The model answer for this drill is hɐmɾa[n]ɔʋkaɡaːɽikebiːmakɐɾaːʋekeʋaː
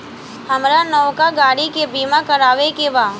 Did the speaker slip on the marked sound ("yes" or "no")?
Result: no